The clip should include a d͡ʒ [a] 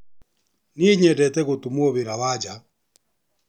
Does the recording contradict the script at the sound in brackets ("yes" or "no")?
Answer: no